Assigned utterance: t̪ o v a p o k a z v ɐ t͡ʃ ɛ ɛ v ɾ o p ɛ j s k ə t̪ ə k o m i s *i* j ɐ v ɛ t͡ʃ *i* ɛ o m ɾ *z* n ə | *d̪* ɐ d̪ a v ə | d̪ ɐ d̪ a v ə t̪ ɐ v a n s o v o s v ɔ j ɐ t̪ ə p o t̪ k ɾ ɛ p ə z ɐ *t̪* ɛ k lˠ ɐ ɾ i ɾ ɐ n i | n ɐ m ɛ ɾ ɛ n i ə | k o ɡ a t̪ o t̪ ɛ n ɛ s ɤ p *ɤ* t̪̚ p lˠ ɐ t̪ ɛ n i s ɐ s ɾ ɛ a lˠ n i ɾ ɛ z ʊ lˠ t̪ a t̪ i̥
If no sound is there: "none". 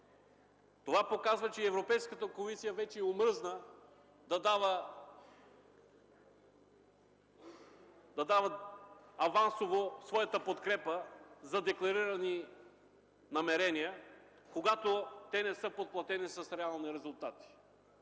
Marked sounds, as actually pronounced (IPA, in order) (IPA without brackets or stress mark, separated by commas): i, ɛ, z, d̪, d̪, o